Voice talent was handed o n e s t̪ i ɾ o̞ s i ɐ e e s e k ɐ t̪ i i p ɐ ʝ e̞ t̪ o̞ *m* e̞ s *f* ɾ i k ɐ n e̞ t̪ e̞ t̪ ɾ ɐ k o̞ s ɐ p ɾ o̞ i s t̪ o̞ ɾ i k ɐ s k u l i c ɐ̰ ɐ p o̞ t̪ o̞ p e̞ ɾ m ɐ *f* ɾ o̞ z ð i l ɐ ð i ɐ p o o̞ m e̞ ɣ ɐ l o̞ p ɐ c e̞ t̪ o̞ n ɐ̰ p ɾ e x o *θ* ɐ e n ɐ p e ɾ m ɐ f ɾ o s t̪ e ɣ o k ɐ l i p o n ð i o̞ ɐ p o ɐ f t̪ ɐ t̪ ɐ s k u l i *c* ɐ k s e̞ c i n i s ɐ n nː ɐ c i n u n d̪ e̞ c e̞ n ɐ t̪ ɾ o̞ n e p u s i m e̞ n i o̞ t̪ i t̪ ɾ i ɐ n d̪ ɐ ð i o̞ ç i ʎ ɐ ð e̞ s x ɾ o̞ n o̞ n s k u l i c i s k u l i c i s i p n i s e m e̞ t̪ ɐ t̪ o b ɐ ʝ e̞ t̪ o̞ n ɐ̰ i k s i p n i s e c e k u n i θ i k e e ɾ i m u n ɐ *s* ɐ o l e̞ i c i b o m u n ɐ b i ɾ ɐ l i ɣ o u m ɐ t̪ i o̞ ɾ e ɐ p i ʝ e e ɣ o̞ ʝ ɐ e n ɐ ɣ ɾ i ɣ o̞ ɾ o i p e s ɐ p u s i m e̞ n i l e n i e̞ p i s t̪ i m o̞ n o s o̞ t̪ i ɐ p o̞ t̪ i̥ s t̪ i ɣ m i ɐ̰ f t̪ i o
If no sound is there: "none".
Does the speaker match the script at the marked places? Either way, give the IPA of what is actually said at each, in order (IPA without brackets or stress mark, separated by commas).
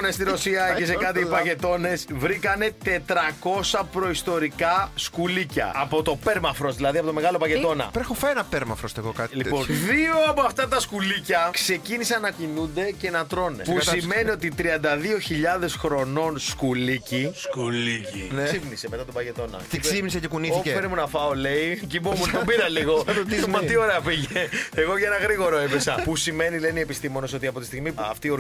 n, v, f, f, c, f